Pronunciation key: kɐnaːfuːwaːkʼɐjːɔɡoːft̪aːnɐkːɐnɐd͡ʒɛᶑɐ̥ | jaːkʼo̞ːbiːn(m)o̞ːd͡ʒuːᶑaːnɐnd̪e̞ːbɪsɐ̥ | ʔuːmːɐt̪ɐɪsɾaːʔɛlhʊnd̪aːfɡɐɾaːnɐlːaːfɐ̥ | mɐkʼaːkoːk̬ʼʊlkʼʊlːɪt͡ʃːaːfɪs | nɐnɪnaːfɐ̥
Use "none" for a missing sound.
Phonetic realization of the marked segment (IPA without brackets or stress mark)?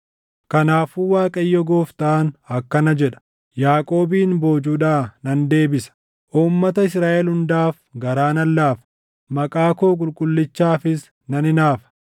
b